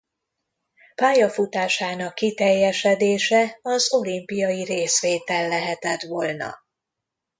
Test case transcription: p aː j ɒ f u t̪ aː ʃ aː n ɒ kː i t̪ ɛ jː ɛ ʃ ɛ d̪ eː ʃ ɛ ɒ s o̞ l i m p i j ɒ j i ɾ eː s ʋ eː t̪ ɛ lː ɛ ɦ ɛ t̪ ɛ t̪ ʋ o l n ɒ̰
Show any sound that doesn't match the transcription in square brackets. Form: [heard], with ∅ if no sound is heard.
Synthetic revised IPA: p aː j ɒ f u t̪ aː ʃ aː n ɒ kː i t̪ ɛ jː ɛ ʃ ɛ d̪ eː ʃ ɛ ɒ [z] o̞ l i m p i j ɒ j i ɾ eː s ʋ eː t̪ ɛ lː ɛ ɦ ɛ t̪ ɛ t̪ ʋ o l n ɒ̰